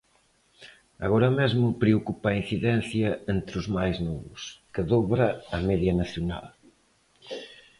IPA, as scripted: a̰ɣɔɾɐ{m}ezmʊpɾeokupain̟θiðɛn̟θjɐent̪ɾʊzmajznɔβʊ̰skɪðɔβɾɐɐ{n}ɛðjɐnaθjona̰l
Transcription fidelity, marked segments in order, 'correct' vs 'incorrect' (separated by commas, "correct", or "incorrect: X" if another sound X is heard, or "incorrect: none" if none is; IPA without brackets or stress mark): correct, incorrect: m